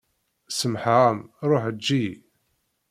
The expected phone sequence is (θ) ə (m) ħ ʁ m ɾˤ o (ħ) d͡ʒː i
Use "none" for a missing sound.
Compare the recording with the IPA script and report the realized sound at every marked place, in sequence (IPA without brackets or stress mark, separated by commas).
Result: s, m, ħ